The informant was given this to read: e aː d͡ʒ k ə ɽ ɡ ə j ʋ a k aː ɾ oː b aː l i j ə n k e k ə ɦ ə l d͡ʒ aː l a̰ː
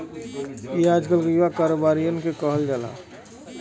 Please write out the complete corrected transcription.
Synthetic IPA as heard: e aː d͡ʒ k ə l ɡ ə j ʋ a k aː ɾ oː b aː ɾ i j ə n k e k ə ɦ ə l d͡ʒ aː l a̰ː

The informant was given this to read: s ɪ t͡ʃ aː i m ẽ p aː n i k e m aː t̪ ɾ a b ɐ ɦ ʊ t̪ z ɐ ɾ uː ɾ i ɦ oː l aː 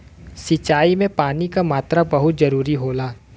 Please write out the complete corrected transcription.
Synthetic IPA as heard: s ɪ t͡ʃ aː i m ẽ p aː n i k a m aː t̪ ɾ a b ɐ ɦ ʊ t̪ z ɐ ɾ uː ɾ i ɦ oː l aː

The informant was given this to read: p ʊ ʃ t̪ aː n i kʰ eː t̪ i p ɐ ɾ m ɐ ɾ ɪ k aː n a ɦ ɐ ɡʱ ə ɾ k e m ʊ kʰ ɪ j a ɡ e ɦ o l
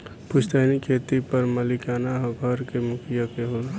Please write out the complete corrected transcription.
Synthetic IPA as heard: p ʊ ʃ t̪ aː n i kʰ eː t̪ i p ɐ ɾ m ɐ l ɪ k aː n a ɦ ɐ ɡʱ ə ɾ k e m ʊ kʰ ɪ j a k e ɦ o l

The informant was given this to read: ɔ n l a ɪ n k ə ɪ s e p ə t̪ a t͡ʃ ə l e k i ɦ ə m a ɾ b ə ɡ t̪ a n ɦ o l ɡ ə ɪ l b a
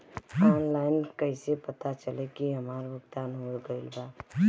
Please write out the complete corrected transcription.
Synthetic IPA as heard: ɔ n l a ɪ n k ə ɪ s e p ə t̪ a t͡ʃ ə l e k i ɦ ə m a ɾ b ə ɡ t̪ a n ɦ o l ɡ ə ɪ l b a

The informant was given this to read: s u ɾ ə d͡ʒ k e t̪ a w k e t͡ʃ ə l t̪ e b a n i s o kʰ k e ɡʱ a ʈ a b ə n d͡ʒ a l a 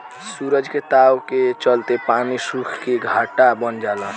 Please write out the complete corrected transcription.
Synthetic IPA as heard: s u ɾ ə d͡ʒ k e t̪ a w k e t͡ʃ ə l t̪ e p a n i s u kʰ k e ɡʱ a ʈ a b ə n d͡ʒ a l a

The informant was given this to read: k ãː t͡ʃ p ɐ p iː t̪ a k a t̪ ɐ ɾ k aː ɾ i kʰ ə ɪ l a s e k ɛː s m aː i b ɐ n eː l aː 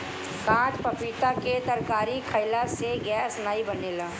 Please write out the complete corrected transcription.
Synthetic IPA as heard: k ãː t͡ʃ p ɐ p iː t̪ a k e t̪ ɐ ɾ k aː ɾ i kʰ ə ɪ l a s e ɡ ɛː s n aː i b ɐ n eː l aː

